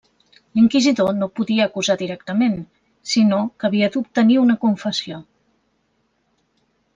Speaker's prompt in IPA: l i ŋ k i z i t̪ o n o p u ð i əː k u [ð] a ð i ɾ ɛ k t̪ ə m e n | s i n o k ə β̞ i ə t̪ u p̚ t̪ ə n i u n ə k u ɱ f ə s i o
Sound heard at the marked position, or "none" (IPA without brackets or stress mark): z